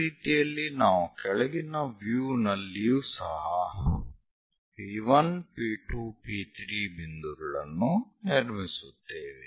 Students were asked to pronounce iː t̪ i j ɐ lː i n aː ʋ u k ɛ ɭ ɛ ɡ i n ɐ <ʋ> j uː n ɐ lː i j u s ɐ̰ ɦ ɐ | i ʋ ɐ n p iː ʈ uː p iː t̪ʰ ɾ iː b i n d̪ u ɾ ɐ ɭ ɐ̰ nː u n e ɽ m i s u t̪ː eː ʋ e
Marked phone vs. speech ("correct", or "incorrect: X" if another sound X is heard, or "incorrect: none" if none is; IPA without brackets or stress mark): correct